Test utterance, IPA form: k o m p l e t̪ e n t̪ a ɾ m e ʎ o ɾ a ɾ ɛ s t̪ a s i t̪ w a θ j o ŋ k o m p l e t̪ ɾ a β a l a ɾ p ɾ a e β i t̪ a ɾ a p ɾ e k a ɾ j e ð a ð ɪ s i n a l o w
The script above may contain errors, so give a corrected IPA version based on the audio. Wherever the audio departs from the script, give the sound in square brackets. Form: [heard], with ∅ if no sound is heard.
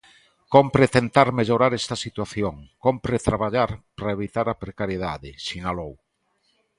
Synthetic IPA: k o m p [ɾ] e t̪ e n t̪ a ɾ m e ʎ o ɾ a ɾ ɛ s t̪ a s i t̪ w a θ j o ŋ k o m p [ɾ] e t̪ ɾ a β a [ʎ] a ɾ p ɾ a e β i t̪ a ɾ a p ɾ e k a ɾ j e ð a ð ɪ s i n a l o w